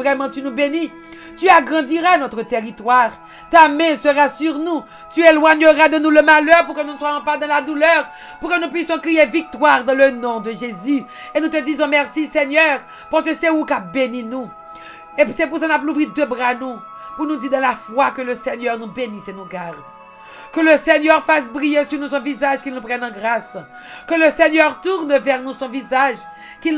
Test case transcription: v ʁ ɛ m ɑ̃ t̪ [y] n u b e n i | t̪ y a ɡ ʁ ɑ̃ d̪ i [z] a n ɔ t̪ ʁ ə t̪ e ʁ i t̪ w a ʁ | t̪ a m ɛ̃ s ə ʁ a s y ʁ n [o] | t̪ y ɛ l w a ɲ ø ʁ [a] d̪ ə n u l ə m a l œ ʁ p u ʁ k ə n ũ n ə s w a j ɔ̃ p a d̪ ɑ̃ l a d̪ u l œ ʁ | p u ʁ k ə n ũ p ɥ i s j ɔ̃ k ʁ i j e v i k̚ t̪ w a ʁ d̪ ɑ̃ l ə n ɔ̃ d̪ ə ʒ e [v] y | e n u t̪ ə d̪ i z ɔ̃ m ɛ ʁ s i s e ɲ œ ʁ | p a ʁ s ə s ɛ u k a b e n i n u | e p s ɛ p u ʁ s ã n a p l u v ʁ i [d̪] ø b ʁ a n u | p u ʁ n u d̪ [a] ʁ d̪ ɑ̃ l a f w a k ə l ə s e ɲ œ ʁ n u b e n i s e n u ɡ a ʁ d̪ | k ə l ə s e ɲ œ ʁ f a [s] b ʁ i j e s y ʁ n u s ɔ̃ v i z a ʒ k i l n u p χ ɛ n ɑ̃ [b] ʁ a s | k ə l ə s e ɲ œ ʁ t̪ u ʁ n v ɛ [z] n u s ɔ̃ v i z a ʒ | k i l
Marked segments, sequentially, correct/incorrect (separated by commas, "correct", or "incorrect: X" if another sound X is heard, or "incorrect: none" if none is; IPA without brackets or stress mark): correct, incorrect: ʁ, incorrect: u, correct, incorrect: z, correct, incorrect: i, correct, incorrect: ɡ, incorrect: ʁ